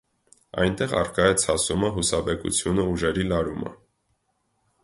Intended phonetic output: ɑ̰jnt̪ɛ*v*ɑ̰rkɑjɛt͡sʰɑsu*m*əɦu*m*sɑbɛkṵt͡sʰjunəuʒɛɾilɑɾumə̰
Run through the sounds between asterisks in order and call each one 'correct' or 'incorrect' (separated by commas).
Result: incorrect, correct, incorrect